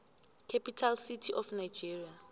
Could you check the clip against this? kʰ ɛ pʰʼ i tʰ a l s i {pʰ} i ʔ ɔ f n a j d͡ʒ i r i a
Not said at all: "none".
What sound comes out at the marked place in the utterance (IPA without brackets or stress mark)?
tʰ